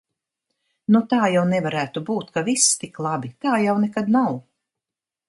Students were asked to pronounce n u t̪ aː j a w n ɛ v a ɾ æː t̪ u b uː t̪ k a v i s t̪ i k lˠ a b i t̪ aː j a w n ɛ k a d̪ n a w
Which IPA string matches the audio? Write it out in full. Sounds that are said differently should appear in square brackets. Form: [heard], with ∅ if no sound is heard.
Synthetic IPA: n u t̪ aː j a w n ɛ v a ɾ æː t̪ u b uː t̪ k a v i s t̪ i k lˠ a b i t̪ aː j a w n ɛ k a d̪ n a w